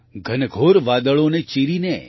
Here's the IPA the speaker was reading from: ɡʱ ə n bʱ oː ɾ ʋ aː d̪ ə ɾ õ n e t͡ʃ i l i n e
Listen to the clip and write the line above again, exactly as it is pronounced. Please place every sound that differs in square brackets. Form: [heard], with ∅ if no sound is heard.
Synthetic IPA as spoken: ɡʱ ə n [ɡʱ] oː ɾ ʋ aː d̪ ə [ɭ] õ n e t͡ʃ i [ɾ] i n e